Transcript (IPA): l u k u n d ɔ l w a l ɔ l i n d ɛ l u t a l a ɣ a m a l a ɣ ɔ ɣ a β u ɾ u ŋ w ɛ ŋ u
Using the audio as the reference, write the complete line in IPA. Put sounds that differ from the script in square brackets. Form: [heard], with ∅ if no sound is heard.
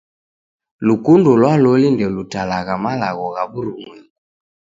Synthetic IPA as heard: l u k u n d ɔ l w a l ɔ l i n d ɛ l u t a l a ɣ a m a l a ɣ ɔ ɣ a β u ɾ u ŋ w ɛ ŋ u